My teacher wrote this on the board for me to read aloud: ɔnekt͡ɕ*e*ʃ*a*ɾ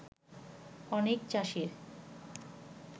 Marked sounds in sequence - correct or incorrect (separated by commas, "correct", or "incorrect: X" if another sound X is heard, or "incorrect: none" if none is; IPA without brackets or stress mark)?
incorrect: a, incorrect: i